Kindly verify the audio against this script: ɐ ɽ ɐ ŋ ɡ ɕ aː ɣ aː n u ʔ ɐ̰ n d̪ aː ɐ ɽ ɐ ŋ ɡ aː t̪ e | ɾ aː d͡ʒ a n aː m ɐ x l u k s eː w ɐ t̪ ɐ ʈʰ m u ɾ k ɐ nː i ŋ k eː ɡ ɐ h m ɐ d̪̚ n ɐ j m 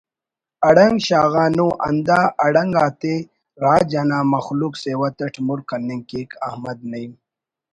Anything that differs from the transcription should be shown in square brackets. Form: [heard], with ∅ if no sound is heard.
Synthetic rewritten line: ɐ ɽ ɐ ŋ ɡ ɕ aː ɣ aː n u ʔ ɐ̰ n d̪ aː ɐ ɽ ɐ ŋ ɡ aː t̪ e | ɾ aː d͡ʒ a n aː m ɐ x l u k s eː w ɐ t̪ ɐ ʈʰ m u ɾ k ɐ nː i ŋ k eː [k] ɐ h m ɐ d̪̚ n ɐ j m